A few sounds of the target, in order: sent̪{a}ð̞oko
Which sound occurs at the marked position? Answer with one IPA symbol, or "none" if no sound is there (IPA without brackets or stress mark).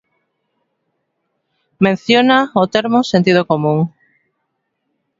i